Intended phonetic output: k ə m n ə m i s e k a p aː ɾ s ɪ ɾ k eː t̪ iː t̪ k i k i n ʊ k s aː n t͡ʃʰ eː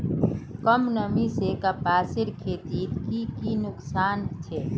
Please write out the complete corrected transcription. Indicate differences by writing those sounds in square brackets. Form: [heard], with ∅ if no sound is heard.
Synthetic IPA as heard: k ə m n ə m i s e k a p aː [∅] s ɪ ɾ [kʰ] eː t̪ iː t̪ k i k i n ʊ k s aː n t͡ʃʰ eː

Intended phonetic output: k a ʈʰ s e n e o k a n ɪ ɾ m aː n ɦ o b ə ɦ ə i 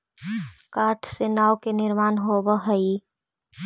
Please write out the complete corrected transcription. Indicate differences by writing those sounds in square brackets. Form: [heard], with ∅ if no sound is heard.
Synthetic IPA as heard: k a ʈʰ s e n [a] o k [e] n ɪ ɾ m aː n ɦ o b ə ɦ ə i

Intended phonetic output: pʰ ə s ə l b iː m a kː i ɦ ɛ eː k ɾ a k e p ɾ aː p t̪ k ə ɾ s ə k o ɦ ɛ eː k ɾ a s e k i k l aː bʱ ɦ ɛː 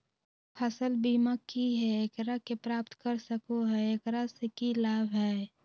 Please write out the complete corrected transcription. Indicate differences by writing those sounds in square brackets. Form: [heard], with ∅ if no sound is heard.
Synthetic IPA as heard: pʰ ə s ə l b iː m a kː i ɦ ɛ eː k ɾ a k e p ɾ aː p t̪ k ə ɾ s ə k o ɦ ɛ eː k ɾ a s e k i [∅] l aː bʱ ɦ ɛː

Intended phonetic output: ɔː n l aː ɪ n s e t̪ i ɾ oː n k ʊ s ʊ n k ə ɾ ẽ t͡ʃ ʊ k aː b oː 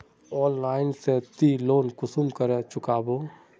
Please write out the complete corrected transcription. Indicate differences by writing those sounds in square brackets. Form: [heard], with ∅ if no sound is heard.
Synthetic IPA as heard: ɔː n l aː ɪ n s e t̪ i [l] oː n k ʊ s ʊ [m] k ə ɾ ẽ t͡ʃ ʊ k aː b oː

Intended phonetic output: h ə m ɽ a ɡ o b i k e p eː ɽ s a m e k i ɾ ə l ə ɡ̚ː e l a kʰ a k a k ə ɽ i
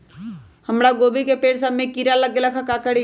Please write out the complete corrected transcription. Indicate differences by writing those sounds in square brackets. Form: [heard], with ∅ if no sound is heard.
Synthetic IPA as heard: h ə m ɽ a ɡ o b i k e p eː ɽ s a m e k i ɾ [a] l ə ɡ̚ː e l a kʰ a k a k ə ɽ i

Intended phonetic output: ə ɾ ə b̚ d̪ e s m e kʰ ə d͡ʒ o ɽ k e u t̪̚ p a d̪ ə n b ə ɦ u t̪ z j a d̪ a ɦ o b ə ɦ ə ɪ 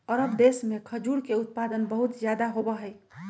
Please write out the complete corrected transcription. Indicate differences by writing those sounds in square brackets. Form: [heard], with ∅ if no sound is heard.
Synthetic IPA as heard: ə ɾ ə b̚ d̪ e s m e kʰ ə d͡ʒ [u] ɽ k e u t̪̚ p a d̪ ə n b ə ɦ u t̪ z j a d̪ a ɦ o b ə ɦ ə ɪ

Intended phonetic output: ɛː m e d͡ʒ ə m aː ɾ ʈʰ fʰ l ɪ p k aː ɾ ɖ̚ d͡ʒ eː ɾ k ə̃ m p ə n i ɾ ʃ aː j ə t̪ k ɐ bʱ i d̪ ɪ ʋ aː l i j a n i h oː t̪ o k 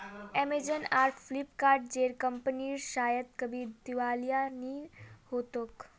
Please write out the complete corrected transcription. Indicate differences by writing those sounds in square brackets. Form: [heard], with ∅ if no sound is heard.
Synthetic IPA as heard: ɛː m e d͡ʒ ə [n] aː ɾ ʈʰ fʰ l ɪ p k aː ɾ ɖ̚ d͡ʒ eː ɾ k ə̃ m p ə n i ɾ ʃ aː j ə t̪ k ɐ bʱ i d̪ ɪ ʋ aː l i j a n i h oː t̪ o k

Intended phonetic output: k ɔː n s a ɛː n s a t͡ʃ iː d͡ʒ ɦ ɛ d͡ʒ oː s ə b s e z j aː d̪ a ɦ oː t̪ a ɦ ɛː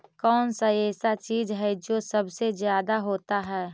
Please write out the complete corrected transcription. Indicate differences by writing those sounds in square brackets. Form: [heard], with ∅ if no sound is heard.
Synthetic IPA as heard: k ɔː n s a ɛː [∅] s a t͡ʃ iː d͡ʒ ɦ ɛ d͡ʒ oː s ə b s e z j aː d̪ a ɦ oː t̪ a ɦ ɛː

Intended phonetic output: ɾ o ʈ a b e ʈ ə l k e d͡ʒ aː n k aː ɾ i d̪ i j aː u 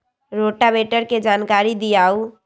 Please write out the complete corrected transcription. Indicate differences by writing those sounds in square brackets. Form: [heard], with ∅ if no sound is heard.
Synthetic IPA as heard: ɾ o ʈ a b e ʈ ə [ɾ] k e d͡ʒ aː n k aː ɾ i d̪ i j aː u

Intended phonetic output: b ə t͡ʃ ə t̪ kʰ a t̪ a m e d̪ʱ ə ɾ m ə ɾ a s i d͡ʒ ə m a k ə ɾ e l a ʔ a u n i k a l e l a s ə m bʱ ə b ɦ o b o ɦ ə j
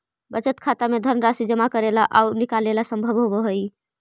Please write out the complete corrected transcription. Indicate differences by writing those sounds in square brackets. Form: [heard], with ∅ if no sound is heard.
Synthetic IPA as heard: b ə t͡ʃ ə t̪ kʰ a t̪ a m e d̪ʱ ə ɾ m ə ɾ a s i d͡ʒ ə m a k ə ɾ e l a ʔ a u n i k a l e l a s ə m bʱ ə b ɦ o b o ɦ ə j

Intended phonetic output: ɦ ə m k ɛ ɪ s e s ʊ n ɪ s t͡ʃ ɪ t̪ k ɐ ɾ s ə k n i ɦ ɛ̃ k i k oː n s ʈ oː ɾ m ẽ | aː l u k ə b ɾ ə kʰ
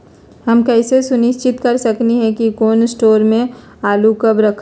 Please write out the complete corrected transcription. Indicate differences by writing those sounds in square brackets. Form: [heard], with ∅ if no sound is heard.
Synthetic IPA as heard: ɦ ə m k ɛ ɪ s e s ʊ n ɪ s t͡ʃ ɪ t̪ k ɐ ɾ s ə k n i ɦ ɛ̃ k i k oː n s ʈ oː ɾ m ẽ | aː l u k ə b ɾ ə kʰ

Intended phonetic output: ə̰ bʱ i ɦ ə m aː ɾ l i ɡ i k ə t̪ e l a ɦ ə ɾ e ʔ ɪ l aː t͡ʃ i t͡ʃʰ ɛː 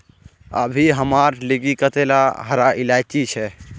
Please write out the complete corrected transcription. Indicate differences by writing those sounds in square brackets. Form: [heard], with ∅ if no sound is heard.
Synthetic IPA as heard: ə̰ bʱ i ɦ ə m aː ɾ l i ɡ i k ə t̪ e l a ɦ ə ɾ [a] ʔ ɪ l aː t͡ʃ i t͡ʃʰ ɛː

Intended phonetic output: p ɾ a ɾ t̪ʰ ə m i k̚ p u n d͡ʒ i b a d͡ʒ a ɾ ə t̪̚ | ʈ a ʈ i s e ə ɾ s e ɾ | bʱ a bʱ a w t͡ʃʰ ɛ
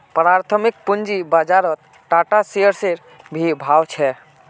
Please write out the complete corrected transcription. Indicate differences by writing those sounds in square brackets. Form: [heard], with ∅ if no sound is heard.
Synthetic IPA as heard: p ɾ a ɾ t̪ʰ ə m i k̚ p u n d͡ʒ i b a d͡ʒ a ɾ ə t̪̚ | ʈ a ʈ [a] s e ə ɾ s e ɾ | bʱ [i] bʱ a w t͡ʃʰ ɛ

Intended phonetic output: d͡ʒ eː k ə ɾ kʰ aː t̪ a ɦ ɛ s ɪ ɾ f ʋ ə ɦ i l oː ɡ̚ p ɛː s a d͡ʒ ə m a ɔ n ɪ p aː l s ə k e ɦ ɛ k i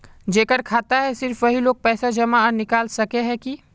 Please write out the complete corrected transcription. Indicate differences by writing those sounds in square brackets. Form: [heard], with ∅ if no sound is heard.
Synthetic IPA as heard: d͡ʒ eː k ə ɾ kʰ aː t̪ a ɦ ɛ s ɪ ɾ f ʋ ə ɦ i l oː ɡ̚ p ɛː s a d͡ʒ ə m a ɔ n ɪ [k] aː l s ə k e ɦ ɛ k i

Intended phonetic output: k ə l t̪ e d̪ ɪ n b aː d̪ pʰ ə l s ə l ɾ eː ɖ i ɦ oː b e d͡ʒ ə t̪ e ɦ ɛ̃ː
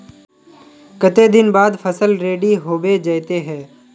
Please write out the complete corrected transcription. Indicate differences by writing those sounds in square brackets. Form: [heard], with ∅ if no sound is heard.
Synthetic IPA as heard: k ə [∅] t̪ e d̪ ɪ n b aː d̪ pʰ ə [∅] s ə l ɾ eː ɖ i ɦ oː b e d͡ʒ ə t̪ e ɦ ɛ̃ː

